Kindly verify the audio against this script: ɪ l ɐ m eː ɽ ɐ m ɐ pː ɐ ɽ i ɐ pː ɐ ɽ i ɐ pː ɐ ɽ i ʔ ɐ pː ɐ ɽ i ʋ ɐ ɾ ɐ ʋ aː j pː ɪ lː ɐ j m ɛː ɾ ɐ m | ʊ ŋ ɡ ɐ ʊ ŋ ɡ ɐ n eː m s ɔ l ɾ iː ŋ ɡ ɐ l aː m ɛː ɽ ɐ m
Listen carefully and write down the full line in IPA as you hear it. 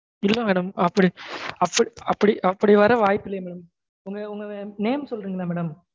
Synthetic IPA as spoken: ɪ lː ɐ m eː ɽ ɐ m ɐ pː ɐ ɽ i ɐ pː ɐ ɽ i ɐ pː ɐ ɽ i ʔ ɐ pː ɐ ɽ i ʋ ɐ ɾ ɐ ʋ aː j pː ɪ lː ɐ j m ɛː ɽ ɐ m | ʊ ŋ ɡ ɐ ʊ ŋ ɡ ɐ n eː m s ɔ l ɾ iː ŋ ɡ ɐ l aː m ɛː ɽ ɐ m

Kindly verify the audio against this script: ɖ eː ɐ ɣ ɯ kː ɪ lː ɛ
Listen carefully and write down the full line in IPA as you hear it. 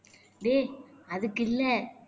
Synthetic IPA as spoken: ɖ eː ɐ ð ɯ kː ɪ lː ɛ

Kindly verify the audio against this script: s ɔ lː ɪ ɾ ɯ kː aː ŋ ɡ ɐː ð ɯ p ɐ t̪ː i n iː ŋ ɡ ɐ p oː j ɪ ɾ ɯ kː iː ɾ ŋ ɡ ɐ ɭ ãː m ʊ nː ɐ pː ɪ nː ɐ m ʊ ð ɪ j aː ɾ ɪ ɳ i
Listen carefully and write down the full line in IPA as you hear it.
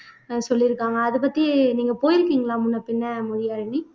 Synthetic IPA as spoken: s ɔ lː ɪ ɾ ɯ kː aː ŋ ɡ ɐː ð ɯ p ɐ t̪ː i n iː ŋ ɡ ɐ p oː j ɪ ɾ ɯ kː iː ŋ ɡ ɐ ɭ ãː m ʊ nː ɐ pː ɪ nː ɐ m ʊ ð ɪ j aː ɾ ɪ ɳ i

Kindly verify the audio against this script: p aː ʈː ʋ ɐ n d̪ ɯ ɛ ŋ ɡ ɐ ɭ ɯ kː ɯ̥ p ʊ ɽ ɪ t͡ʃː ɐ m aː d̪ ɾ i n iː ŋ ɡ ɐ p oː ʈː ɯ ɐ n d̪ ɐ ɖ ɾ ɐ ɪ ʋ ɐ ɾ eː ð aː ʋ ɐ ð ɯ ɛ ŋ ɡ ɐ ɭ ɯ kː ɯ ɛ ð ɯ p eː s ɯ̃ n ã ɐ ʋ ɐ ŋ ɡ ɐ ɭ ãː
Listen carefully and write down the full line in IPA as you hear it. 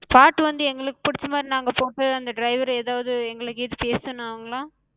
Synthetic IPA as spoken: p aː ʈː ʋ ɐ n d̪ ɯ ɛ ŋ ɡ ɐ ɭ ɯ kː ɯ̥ p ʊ ɽ ɪ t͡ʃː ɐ m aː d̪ ɾ i n aː ŋ ɡ ɐ p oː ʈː ɯ ɐ n d̪ ɐ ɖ ɾ ɐ ɪ ʋ ɐ ɾ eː ð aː ʋ ɐ ð ɯ ɛ ŋ ɡ ɐ ɭ ɯ kː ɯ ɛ ð ɯ p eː s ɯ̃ n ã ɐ ʋ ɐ ŋ ɡ ɐ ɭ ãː

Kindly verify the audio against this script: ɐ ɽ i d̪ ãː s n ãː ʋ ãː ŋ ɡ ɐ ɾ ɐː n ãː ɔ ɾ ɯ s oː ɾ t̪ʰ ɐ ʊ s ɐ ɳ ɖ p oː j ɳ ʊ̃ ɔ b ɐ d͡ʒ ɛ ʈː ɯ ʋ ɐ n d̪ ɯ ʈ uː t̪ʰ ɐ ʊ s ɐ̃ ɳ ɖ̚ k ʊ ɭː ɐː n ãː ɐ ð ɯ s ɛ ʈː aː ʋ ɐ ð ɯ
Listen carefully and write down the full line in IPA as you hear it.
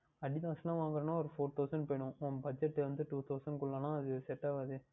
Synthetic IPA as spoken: ɐ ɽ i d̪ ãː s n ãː ʋ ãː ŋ ɡ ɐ ɾ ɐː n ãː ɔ ɾ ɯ f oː ɾ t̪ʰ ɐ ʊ s ɐ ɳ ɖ p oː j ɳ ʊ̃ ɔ b ɐ d͡ʒ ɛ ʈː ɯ ʋ ɐ n d̪ ɯ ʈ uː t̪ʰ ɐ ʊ s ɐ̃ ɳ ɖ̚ k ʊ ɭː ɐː n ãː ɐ ð ɯ s ɛ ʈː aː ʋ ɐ ð ɯ

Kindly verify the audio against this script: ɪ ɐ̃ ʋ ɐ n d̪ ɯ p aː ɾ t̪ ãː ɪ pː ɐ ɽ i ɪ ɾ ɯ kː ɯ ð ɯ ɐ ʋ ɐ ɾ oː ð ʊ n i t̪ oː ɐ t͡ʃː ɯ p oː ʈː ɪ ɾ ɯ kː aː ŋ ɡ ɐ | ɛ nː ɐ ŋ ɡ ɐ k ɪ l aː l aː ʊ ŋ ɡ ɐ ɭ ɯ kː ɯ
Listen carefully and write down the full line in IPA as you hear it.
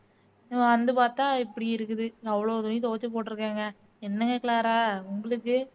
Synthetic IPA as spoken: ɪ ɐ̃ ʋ ɐ n d̪ ɯ p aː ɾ t̪ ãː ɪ pː ɐ ɽ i ɪ ɾ ɯ kː ɯ ð ɯ ɐ ʋ ɐ ɭ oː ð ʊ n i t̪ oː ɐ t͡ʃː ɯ p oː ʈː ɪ ɾ ɯ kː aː ŋ ɡ ɐ | ɛ nː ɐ ŋ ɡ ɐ k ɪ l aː ɾ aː ʊ ŋ ɡ ɐ ɭ ɯ kː ɯ

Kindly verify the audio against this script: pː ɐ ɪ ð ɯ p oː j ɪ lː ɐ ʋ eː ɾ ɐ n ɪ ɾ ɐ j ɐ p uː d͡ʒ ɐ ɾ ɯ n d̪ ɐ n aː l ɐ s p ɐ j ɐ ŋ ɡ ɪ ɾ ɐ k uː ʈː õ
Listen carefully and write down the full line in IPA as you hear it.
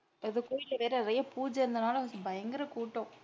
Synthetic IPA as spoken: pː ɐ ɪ ð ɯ k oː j ɪ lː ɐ ʋ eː ɾ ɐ n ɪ ɾ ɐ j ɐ p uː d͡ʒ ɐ ɾ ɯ n d̪ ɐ n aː l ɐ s b ɐ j ɐ ŋ ɡ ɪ ɾ ɐ k uː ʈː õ

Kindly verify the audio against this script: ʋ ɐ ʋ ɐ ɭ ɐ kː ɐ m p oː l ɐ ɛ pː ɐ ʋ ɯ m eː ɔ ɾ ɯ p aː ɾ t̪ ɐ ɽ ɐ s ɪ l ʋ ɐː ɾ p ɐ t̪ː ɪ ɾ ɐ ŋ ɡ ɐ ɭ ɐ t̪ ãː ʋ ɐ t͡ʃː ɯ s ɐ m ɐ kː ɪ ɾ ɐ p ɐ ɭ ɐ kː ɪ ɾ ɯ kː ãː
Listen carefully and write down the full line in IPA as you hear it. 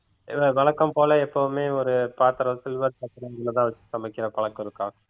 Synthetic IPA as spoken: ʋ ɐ ʋ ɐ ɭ ɐ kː ɐ m p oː l ɐ ɛ pː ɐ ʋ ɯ m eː ɔ ɾ ɯ p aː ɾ t̪ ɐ ɾ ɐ s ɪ l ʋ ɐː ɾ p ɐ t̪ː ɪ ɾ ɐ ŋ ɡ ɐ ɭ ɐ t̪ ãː ʋ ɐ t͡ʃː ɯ s ɐ m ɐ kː ɪ ɾ ɐ p ɐ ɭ ɐ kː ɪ ɾ ɯ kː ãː

